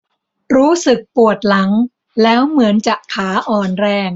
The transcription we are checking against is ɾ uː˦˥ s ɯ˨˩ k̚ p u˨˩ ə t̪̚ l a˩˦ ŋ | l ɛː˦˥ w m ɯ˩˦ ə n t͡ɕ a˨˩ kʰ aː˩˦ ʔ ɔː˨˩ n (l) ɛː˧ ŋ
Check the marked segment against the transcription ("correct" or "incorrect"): incorrect